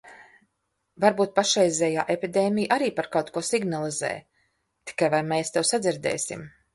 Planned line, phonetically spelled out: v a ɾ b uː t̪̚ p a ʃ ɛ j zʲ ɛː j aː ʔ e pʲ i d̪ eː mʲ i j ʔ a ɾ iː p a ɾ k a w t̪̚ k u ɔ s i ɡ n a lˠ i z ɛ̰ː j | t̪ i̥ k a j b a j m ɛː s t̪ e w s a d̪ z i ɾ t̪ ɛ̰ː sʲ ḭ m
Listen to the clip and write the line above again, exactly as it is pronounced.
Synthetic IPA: v a ɾ b uː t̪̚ p a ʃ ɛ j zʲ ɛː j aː ʔ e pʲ i d̪ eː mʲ i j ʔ a ɾ iː p a ɾ k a w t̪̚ k u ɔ s i ɡ n a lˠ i z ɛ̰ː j | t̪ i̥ k a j v a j m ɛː s t̪ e w s a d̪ z i ɾ d̪ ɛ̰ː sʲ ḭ m